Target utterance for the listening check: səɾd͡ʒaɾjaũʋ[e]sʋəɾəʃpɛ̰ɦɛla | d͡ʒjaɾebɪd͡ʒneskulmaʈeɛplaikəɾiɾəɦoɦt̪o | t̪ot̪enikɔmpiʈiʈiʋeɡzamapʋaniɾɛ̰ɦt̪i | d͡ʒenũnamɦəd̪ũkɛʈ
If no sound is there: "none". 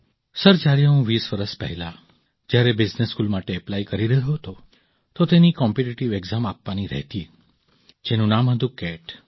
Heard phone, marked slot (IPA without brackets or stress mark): i